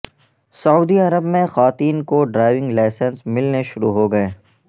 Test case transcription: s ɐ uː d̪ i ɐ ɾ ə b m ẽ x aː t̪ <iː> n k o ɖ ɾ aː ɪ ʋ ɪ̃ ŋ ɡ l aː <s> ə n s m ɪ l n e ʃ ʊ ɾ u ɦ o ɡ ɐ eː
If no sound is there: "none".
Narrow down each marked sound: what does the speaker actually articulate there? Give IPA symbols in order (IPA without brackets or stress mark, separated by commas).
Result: iː, s